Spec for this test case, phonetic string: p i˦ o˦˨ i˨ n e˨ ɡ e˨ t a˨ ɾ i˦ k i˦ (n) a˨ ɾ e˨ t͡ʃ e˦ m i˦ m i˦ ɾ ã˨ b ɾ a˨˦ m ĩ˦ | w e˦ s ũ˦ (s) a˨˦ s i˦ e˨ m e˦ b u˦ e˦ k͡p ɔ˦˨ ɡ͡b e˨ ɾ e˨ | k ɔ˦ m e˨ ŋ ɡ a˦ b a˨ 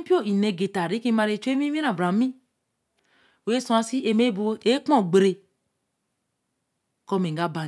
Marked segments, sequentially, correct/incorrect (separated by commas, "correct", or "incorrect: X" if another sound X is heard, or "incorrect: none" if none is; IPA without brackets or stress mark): incorrect: m, incorrect: none